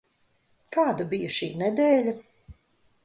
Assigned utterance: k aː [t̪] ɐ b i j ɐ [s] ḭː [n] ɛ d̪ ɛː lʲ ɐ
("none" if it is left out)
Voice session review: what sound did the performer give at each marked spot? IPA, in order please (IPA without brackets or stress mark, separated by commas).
d̪, ʃ, n